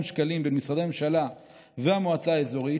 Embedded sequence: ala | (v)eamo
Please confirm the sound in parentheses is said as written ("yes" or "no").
yes